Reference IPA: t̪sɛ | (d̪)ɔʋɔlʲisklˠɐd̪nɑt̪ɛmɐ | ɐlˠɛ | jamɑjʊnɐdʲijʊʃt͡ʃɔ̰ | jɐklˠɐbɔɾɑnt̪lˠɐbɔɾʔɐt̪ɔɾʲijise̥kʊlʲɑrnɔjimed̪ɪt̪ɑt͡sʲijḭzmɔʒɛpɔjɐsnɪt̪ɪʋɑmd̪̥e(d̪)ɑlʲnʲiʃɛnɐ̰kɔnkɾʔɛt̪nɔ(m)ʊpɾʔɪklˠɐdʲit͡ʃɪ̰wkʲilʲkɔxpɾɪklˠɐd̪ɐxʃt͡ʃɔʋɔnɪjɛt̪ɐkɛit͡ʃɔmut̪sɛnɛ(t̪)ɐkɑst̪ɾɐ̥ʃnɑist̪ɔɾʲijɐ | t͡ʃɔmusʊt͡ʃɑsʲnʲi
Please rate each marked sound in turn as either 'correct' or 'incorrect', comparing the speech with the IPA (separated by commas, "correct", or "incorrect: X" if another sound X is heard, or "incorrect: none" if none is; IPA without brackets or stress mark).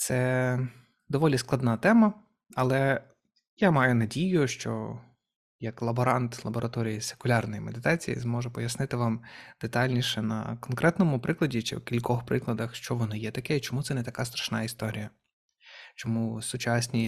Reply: correct, incorrect: t̪, correct, correct